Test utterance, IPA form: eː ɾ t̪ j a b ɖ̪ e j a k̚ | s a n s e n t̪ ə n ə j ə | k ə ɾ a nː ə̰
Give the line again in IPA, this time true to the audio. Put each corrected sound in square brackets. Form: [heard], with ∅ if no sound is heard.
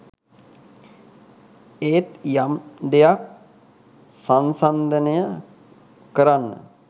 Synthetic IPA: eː [∅] t̪ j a [m] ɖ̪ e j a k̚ | s a n s [a] n [d̪] ə n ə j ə | k ə ɾ a nː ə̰